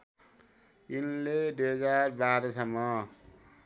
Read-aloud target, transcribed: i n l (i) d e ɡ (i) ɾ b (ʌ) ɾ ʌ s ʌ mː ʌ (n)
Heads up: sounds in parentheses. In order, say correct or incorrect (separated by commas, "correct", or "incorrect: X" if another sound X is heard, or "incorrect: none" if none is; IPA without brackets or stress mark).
incorrect: e, incorrect: a, incorrect: a, incorrect: none